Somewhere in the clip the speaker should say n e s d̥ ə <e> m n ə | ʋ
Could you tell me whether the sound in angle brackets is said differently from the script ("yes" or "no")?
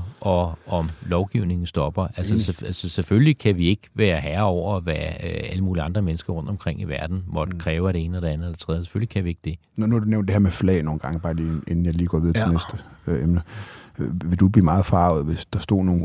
no